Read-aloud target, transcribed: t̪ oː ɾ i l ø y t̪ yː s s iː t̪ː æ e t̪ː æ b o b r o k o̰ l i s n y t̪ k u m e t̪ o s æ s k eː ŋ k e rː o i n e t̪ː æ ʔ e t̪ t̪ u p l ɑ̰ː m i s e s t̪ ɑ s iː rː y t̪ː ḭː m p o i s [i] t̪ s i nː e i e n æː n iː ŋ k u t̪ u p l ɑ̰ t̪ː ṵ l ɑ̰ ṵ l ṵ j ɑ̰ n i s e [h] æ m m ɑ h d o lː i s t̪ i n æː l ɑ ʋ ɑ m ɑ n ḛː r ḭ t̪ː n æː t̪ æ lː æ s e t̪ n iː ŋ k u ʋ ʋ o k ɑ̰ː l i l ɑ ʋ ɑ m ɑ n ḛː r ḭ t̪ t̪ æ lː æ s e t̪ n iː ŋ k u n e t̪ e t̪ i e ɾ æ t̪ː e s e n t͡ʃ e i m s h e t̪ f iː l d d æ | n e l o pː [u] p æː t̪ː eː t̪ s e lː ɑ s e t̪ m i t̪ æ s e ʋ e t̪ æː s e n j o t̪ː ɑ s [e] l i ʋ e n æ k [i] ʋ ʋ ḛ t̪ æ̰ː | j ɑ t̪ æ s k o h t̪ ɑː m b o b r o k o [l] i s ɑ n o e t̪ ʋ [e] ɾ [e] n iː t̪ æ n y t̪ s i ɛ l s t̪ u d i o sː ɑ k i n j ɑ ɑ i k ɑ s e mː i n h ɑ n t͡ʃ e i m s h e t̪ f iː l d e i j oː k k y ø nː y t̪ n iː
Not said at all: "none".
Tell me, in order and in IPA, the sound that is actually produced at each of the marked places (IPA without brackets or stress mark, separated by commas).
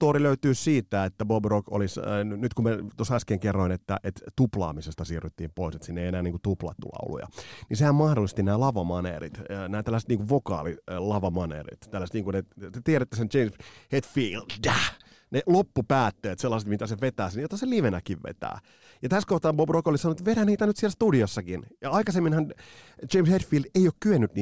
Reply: e, h, u, e, i, l, e, æ